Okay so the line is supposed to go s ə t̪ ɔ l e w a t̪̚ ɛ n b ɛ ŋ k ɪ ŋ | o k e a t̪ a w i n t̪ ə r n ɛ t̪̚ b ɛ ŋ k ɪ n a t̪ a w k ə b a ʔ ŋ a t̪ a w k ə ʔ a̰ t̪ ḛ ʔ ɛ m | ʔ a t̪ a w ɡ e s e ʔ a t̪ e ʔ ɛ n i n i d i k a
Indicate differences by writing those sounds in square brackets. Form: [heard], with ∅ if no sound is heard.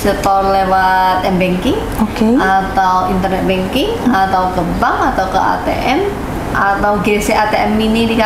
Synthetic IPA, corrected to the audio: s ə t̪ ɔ l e w a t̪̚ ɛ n b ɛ ŋ k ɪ ŋ | o k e a t̪ a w i n t̪ ə r n ɛ t̪̚ b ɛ ŋ k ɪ [ŋ] a t̪ a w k ə b a [∅] ŋ a t̪ a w k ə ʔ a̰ t̪ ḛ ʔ ɛ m | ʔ a t̪ a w ɡ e s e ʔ a t̪ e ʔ ɛ [m] i n i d i k a